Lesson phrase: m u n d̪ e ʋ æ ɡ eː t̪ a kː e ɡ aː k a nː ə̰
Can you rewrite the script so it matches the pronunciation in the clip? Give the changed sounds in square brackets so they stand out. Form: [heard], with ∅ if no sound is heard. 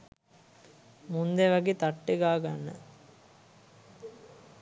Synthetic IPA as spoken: m u n d̪ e ʋ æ ɡ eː t̪ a [ʈː] e ɡ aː [ɡ] a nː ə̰